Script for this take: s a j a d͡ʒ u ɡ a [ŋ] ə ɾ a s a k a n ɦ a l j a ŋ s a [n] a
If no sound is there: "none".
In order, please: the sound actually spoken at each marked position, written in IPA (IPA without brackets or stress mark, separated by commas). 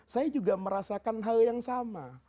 m, m